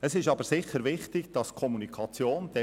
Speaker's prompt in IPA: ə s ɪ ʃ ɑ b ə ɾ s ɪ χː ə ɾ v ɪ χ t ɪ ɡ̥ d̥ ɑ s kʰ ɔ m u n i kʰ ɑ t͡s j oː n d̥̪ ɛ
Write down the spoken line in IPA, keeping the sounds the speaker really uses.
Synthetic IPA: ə s ɪ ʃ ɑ b ə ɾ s ɪ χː ə ɾ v ɪ χ t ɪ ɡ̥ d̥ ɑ s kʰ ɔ m u n i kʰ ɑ t͡s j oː n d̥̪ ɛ